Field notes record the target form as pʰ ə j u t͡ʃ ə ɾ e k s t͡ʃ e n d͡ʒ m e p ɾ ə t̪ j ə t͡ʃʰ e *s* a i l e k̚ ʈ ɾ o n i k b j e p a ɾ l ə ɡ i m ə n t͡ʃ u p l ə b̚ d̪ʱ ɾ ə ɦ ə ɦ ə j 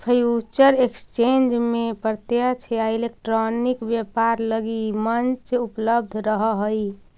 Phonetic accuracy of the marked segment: incorrect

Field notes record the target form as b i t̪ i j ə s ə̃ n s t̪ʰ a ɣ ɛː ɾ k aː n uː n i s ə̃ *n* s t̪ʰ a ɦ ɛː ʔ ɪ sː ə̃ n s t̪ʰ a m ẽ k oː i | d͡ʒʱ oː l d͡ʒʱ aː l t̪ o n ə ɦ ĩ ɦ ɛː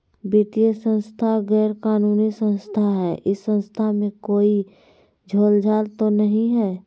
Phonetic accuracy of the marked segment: correct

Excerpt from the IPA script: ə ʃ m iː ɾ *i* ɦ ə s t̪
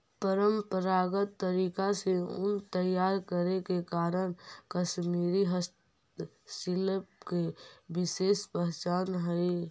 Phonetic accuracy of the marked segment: correct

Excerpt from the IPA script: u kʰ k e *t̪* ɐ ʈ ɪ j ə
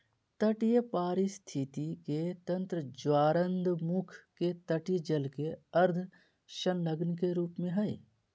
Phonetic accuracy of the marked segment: correct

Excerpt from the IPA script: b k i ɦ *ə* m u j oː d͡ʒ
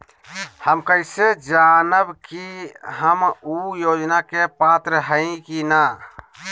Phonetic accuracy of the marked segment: correct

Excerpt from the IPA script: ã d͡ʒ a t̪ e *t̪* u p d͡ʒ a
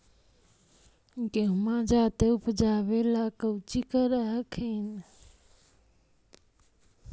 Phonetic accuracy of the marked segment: incorrect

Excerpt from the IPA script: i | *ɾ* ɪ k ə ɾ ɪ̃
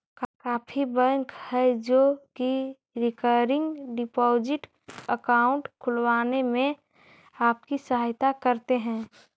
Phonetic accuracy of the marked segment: correct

